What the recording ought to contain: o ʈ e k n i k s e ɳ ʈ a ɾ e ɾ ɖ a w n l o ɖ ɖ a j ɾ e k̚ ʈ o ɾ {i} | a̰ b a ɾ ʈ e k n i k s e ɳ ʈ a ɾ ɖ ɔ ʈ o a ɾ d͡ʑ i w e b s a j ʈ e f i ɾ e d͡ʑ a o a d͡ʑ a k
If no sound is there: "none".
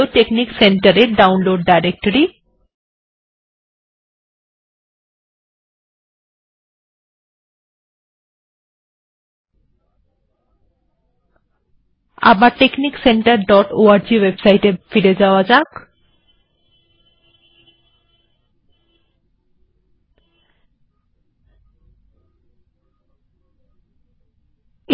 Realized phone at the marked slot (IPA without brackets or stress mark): i